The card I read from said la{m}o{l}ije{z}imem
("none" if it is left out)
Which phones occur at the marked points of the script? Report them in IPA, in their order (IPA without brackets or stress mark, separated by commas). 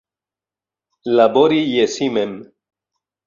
b, ɾ, s